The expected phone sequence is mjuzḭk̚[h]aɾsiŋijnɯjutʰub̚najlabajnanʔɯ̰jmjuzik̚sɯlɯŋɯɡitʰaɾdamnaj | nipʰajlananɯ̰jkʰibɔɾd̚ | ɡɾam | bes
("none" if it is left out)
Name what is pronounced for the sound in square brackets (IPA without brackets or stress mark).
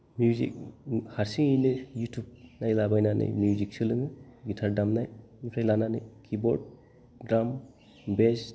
h